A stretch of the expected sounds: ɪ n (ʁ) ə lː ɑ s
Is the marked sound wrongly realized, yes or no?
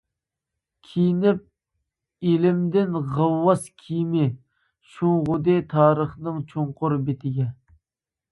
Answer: no